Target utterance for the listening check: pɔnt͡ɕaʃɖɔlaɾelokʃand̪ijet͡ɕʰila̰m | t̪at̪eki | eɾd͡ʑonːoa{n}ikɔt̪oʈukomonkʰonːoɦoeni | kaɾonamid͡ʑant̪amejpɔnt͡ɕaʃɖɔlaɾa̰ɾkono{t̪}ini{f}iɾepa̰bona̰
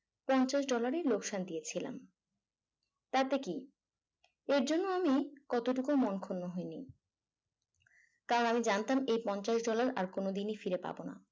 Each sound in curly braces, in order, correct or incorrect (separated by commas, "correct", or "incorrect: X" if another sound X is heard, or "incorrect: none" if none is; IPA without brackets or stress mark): incorrect: m, incorrect: d̪, correct